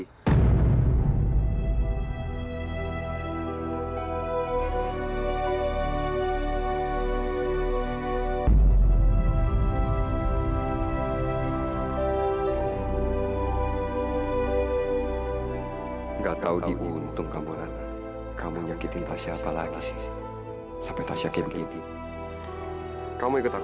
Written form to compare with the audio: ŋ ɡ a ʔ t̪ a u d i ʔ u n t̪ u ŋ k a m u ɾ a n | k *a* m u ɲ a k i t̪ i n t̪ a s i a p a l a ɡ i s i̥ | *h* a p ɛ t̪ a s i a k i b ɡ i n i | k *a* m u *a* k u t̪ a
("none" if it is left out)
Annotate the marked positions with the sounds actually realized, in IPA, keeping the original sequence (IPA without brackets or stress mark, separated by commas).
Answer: a, s, a, i